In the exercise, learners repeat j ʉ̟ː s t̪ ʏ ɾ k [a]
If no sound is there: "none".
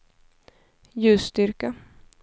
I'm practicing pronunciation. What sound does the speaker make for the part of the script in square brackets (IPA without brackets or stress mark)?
a